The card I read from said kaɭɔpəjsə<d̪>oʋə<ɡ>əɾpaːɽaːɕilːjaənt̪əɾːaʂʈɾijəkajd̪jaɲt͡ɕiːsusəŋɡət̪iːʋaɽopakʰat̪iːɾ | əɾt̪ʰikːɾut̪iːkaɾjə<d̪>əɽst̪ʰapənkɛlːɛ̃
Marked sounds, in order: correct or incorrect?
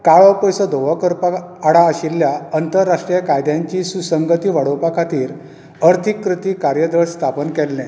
correct, incorrect, correct

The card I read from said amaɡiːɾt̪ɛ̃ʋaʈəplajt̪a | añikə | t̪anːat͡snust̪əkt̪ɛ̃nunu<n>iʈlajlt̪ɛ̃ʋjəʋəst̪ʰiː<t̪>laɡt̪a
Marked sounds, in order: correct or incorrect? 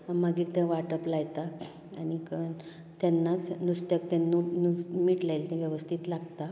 incorrect, correct

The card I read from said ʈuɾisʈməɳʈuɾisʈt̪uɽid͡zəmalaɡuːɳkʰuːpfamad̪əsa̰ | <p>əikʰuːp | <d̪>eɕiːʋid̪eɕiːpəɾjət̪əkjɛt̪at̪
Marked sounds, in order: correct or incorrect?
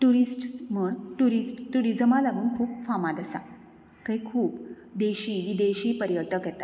incorrect, correct

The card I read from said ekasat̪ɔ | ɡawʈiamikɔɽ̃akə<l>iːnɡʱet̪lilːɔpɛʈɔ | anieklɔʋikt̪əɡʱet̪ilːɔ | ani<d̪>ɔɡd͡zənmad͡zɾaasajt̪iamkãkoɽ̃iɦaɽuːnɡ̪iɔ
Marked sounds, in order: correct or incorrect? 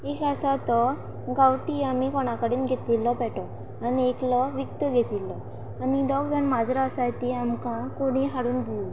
incorrect, correct

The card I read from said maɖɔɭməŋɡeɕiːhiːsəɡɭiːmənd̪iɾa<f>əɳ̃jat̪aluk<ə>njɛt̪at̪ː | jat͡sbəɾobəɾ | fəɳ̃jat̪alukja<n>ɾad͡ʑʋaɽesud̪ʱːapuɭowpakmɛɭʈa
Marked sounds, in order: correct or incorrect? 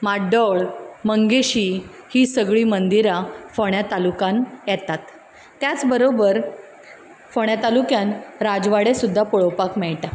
correct, incorrect, correct

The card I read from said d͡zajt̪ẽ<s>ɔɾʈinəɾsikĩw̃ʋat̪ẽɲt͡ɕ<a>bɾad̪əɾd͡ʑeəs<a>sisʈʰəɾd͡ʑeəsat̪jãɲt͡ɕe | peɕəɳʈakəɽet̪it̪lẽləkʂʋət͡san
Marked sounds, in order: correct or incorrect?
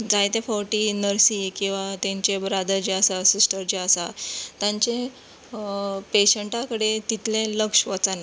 incorrect, incorrect, correct

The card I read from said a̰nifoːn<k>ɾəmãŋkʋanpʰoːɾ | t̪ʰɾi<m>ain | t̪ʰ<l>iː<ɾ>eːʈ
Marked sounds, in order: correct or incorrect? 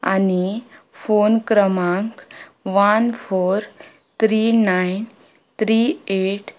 correct, incorrect, incorrect, incorrect

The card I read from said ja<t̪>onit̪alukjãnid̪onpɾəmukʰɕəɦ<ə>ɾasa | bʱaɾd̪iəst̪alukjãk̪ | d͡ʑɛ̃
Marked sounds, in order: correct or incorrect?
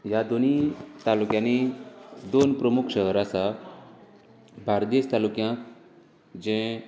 incorrect, correct

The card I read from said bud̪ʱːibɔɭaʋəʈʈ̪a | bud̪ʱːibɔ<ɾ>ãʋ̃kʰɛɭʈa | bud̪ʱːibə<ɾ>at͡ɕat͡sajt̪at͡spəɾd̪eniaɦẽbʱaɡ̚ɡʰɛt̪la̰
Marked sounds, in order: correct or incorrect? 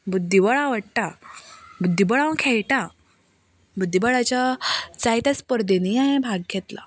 incorrect, incorrect

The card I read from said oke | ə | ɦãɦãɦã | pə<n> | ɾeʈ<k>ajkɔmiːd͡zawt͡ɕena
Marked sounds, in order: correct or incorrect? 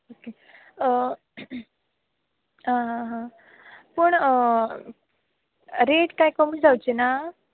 incorrect, correct

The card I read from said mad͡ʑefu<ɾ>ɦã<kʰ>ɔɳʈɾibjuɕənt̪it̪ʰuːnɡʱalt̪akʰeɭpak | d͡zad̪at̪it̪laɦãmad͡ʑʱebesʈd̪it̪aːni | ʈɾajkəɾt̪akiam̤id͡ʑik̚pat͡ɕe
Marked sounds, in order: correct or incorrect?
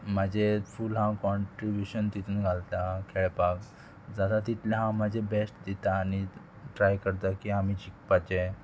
incorrect, incorrect

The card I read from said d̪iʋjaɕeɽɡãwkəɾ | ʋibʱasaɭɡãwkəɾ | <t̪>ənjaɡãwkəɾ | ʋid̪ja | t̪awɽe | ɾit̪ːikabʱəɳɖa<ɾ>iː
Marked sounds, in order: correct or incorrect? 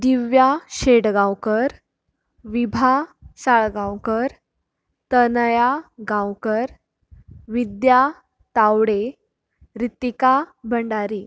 correct, correct

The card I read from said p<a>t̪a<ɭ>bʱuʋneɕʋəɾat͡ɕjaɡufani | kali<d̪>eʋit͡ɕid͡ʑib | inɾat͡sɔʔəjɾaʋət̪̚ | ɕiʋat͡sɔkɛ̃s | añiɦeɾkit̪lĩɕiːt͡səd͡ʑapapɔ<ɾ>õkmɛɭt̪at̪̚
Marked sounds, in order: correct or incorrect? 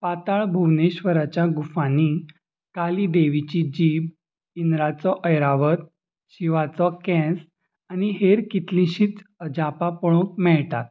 correct, correct, correct, incorrect

